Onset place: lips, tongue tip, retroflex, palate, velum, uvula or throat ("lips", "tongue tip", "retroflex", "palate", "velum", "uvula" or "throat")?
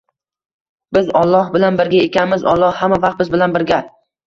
lips